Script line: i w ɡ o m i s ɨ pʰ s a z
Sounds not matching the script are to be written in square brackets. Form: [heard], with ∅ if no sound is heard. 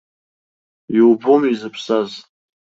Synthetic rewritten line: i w [b] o m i [z] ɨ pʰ s a z